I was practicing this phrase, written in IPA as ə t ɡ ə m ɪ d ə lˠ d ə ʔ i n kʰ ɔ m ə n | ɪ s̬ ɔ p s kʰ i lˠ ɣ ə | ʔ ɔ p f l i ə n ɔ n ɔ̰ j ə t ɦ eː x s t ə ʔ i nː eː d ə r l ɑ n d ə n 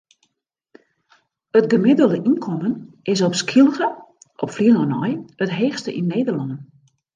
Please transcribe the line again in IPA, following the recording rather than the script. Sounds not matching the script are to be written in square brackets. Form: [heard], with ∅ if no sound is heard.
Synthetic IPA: ə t ɡ ə m ɪ d ə lˠ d ə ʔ i n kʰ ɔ m ə n | ɪ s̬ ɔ p s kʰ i lˠ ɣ ə | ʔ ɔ p f l i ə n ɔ n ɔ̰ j ə t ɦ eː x s t ə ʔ i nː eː d ə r l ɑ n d ə n